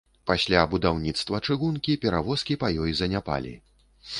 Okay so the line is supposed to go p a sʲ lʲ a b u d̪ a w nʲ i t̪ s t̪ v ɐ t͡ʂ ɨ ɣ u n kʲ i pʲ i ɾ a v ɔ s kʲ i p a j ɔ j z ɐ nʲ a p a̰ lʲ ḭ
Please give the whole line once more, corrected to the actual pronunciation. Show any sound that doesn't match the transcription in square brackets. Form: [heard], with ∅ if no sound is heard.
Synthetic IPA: p a sʲ lʲ a b u d̪ a w nʲ i t̪ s t̪ v ɐ t͡ʂ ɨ ɣ u n kʲ i pʲ [ɛ] ɾ a v ɔ s kʲ i p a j ɔ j z ɐ nʲ a p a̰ lʲ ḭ